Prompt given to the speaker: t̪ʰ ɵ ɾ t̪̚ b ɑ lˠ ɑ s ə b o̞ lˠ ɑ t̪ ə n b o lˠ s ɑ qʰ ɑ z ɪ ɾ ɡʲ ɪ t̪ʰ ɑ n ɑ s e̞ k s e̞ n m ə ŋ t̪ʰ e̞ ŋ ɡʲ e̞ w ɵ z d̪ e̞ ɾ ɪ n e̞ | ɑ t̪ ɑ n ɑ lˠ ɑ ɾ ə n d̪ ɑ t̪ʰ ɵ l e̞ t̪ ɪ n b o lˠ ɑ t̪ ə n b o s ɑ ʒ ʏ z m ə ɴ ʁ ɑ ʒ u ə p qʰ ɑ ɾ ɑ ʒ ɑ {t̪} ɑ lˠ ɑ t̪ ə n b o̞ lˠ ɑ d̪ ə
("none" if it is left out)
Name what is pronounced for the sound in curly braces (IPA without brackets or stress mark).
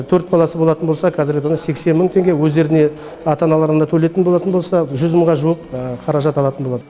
t̪